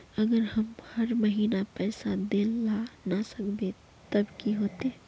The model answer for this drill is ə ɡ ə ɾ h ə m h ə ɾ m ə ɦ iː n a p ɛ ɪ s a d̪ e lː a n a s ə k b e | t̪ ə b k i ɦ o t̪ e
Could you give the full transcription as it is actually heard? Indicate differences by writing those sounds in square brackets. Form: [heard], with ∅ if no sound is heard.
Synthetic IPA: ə ɡ ə ɾ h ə m h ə ɾ m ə ɦ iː n a p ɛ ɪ s a d̪ e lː a n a s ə k b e | t̪ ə b k i ɦ o t̪ e